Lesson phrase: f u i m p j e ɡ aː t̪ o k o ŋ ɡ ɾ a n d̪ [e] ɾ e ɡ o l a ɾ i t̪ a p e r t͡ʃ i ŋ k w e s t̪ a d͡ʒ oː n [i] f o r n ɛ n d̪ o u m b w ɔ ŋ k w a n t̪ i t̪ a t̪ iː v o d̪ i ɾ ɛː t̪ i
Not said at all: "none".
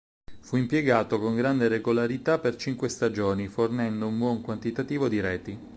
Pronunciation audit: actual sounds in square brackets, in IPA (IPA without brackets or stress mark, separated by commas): e, i